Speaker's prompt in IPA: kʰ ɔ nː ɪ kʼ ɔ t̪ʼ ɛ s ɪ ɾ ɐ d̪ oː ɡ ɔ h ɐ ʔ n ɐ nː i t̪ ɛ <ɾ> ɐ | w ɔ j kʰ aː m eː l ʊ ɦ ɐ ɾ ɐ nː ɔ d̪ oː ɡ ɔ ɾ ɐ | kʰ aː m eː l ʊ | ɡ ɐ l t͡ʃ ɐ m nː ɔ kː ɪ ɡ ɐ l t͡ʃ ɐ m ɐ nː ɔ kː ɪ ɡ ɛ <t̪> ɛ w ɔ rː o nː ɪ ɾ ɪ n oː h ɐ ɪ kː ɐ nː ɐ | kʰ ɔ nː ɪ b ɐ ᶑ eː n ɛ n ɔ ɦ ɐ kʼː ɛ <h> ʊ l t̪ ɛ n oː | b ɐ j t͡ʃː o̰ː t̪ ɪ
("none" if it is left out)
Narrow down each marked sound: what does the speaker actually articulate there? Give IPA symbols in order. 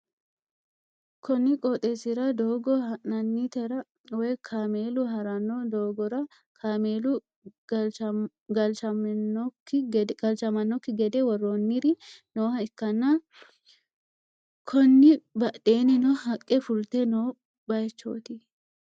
ɾ, d̪, f

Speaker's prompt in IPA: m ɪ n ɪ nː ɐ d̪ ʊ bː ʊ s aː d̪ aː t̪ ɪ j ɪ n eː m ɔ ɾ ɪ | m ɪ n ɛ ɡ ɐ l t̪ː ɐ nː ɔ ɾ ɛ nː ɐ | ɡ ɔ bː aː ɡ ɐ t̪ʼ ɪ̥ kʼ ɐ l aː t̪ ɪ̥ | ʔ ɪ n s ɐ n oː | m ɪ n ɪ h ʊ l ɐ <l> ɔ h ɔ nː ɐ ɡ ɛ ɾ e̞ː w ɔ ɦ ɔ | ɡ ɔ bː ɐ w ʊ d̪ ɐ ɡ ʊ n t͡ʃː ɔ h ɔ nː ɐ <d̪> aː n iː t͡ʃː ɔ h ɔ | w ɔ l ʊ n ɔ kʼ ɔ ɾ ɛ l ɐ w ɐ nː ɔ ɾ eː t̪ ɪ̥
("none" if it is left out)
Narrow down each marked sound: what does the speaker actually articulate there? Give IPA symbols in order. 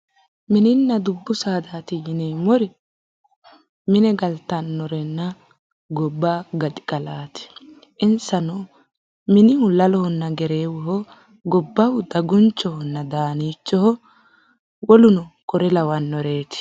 l, d̪

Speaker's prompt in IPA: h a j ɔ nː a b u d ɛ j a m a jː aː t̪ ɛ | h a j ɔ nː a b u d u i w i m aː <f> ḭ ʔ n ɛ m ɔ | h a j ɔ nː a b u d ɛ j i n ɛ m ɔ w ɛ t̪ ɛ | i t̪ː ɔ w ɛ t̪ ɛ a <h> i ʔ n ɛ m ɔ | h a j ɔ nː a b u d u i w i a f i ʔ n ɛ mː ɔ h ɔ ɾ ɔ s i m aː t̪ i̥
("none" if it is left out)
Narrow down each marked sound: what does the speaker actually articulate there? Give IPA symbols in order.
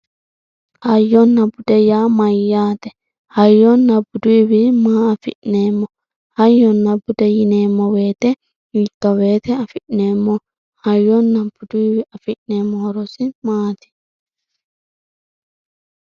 f, f

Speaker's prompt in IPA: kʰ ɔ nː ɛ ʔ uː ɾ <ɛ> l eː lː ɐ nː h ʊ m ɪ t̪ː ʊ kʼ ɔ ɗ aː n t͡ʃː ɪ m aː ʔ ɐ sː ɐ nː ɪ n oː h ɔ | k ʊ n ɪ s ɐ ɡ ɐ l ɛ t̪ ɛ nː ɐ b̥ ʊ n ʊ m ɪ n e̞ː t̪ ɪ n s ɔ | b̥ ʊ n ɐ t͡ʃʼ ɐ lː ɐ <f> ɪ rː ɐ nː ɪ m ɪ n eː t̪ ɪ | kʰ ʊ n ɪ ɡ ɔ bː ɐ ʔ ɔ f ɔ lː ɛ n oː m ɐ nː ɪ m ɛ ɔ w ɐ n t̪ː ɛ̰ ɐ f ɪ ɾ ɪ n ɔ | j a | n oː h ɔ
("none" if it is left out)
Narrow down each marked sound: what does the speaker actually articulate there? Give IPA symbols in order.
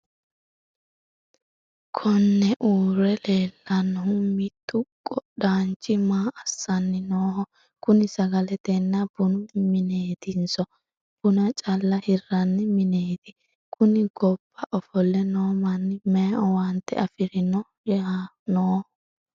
ɛ, h

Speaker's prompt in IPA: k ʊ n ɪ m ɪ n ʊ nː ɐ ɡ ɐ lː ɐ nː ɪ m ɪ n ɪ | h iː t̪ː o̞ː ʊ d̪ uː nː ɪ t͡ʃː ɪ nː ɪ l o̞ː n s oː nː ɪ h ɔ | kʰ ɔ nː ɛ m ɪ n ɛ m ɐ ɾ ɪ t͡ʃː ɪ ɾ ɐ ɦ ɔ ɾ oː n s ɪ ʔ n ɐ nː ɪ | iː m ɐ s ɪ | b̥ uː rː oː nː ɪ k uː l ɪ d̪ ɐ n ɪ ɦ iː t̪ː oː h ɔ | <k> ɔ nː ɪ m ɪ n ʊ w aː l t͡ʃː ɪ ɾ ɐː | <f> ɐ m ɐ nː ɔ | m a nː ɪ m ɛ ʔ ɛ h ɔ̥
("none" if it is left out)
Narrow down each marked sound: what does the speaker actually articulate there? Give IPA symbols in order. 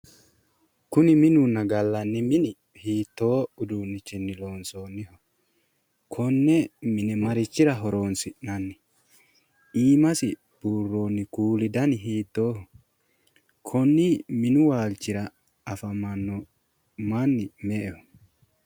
kʰ, f

